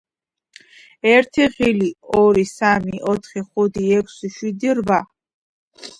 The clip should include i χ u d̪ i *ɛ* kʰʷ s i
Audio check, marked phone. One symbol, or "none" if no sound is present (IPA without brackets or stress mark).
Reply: ɛ